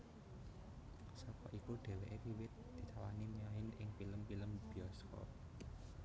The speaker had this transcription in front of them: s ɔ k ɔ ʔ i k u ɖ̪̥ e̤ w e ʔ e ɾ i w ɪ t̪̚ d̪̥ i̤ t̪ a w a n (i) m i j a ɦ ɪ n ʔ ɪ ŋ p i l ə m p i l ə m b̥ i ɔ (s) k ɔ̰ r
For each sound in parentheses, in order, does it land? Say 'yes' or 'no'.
yes, yes

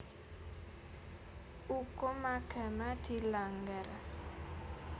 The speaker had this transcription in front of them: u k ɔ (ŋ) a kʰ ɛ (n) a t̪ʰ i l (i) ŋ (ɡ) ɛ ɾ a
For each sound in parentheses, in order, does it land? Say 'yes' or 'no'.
no, no, no, yes

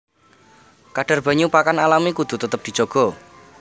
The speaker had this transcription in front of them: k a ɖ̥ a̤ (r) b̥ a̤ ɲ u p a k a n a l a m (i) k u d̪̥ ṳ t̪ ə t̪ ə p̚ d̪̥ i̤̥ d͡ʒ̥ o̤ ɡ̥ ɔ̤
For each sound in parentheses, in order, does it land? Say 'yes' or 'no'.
yes, yes

